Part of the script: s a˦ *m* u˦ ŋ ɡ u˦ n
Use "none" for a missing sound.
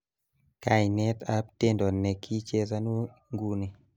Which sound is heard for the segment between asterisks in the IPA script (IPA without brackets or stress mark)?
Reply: n